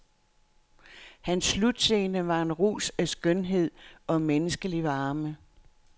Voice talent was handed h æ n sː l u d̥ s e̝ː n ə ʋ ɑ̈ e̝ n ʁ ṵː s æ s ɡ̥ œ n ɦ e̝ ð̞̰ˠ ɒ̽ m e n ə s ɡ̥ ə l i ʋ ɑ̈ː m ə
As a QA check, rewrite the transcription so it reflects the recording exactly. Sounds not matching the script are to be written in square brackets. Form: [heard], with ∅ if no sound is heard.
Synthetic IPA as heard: h æ n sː l u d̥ s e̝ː n ə ʋ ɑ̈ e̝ n ʁ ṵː s æ s ɡ̥ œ n ɦ e̝ ð̞̰ˠ ɒ̽ m e n ə s ɡ̥ ə l i ʋ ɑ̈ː m ə

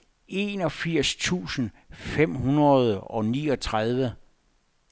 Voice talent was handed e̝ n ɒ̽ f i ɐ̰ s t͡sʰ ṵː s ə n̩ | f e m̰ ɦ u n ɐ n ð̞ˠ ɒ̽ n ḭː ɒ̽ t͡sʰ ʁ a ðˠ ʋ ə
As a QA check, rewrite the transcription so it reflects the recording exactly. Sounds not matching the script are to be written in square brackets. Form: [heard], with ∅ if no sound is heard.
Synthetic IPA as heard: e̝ n ɒ̽ f i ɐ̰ s t͡sʰ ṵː s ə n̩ | f e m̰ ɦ u n ɐ [∅] ð̞ˠ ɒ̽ n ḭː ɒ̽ t͡sʰ ʁ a ðˠ ʋ ə

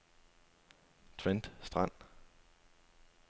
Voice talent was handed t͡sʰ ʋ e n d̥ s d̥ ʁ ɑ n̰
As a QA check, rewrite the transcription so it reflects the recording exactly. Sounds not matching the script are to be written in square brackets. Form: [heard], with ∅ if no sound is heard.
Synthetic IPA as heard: t͡sʰ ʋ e n d̥ s d̥ ʁ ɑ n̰

